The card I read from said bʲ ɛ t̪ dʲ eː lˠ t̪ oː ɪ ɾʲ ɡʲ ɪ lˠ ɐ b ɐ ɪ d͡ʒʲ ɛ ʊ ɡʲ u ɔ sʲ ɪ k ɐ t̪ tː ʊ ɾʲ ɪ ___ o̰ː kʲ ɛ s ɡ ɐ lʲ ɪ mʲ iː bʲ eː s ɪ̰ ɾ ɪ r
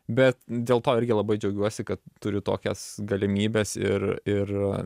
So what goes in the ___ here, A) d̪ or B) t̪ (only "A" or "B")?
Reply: B